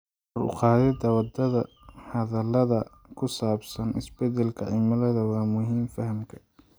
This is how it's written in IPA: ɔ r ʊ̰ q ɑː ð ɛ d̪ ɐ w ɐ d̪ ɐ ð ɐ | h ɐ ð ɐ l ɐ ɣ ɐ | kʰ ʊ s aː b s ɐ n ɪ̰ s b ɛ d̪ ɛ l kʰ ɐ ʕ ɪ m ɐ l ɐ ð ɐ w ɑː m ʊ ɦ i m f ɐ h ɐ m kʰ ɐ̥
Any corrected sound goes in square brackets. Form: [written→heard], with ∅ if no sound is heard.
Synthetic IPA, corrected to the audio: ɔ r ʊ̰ q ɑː ð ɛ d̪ ɐ w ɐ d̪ ɐ ð ɐ | h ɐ ð ɐ l ɐ [ɣ→ð] ɐ | kʰ ʊ s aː b s ɐ n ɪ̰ s b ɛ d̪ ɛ l kʰ ɐ ʕ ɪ m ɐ l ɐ ð ɐ w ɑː m ʊ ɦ [i→iː] m f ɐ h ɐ m kʰ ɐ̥